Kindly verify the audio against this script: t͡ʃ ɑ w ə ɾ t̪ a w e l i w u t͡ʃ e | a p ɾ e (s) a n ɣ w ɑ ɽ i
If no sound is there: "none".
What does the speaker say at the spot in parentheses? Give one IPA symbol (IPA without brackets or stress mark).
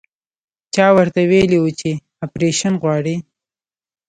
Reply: ʃ